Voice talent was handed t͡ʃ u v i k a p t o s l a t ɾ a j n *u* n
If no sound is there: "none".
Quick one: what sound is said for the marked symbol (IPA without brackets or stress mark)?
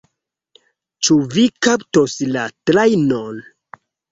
o